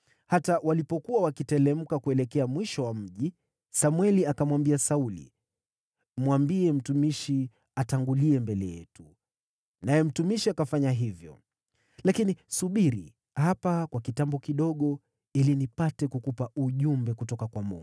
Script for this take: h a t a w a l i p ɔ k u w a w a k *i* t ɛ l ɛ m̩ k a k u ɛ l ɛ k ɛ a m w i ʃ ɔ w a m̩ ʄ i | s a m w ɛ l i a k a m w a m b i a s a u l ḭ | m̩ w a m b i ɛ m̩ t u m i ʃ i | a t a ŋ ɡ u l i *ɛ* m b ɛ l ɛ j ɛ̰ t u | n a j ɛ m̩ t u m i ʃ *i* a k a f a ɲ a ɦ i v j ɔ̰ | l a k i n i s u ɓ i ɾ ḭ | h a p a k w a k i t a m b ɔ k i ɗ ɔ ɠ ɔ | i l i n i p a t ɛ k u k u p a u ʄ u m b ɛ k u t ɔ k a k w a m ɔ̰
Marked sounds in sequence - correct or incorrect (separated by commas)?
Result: correct, correct, correct